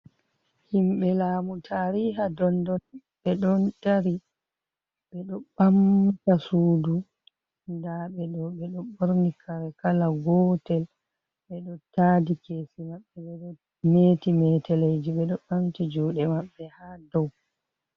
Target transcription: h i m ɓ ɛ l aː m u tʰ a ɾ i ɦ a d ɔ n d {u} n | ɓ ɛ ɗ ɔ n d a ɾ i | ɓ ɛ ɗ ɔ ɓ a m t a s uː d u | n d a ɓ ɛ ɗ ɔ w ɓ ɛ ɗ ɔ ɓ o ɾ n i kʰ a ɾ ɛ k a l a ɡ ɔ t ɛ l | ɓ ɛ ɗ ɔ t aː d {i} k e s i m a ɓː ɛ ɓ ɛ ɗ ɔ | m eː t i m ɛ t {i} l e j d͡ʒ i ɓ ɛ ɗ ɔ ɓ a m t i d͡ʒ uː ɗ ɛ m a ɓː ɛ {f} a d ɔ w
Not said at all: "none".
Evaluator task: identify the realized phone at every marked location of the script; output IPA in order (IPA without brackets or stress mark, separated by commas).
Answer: ɔ, i, ɛ, h